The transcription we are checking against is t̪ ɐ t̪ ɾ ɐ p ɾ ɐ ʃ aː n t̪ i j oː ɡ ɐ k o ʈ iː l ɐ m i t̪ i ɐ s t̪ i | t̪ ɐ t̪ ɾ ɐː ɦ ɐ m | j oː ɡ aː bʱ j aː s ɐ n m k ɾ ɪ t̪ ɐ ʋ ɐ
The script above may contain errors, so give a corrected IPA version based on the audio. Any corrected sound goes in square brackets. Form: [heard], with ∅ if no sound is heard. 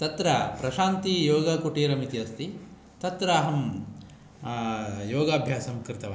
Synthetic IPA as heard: t̪ ɐ t̪ ɾ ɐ p ɾ ɐ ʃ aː n t̪ i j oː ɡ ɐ k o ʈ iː [ɾ] ɐ m i t̪ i ɐ s t̪ i | t̪ ɐ t̪ ɾ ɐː ɦ ɐ m | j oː ɡ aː bʱ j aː s ɐ [∅] m k ɾ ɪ t̪ ɐ ʋ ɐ